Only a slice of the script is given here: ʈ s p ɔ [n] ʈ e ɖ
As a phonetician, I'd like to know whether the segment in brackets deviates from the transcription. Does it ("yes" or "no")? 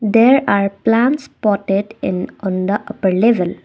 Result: yes